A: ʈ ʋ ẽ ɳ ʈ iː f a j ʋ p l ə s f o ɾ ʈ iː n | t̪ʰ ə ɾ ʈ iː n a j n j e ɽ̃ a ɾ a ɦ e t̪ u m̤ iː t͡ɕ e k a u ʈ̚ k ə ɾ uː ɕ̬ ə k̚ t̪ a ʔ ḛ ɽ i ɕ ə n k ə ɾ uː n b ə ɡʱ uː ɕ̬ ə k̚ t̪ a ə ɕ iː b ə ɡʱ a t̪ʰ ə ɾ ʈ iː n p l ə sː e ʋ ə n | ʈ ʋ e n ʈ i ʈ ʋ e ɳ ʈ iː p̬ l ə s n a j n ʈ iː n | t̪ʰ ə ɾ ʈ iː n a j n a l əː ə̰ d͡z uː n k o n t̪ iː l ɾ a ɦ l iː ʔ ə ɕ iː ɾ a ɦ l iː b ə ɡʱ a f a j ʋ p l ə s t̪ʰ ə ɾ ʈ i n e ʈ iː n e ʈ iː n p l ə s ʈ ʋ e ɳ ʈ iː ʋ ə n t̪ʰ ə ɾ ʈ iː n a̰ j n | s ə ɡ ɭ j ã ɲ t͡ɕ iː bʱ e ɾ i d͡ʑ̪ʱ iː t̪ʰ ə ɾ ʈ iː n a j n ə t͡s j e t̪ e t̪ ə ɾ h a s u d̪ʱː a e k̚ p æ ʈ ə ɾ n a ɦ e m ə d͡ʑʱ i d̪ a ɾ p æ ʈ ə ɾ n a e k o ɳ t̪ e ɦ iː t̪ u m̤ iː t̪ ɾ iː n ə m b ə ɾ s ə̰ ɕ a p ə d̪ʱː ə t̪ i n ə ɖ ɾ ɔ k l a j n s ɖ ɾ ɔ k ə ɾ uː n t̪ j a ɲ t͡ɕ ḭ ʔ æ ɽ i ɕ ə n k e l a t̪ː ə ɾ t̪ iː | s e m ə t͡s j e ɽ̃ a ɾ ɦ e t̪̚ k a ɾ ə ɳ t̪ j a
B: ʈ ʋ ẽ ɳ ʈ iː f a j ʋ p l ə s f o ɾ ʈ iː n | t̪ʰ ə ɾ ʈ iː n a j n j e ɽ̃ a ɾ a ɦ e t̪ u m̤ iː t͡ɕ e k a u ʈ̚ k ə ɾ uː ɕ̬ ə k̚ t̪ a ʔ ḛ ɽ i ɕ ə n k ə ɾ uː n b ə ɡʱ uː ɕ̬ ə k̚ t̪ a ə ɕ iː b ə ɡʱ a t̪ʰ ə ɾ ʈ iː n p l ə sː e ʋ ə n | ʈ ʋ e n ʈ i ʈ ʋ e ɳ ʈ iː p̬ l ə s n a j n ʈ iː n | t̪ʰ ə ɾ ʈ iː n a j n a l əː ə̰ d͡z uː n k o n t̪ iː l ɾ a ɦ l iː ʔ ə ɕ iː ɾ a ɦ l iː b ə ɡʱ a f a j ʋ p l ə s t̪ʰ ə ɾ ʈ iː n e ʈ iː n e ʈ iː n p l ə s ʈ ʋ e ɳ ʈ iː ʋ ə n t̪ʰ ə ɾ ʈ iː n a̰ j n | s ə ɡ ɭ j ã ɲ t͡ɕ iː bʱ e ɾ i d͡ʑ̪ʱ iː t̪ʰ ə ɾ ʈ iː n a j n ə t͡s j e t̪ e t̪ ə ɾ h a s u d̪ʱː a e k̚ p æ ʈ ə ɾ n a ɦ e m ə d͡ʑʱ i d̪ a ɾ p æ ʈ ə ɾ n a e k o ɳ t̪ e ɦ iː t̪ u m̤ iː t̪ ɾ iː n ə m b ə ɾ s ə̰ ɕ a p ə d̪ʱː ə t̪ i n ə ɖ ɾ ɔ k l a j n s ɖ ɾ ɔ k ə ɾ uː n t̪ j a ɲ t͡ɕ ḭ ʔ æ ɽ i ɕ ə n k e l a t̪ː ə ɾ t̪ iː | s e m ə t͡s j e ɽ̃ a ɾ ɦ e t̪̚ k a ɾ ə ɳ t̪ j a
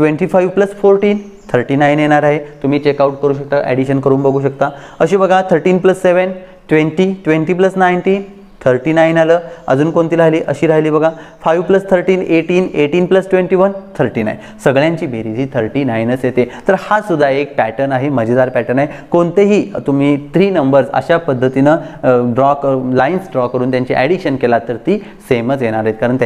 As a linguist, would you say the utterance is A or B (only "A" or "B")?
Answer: B